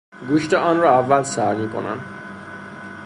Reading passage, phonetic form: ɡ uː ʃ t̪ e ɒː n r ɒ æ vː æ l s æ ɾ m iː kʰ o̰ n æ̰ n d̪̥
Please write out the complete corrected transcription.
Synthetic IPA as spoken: ɡ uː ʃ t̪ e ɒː n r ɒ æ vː æ l s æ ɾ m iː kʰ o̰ n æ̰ n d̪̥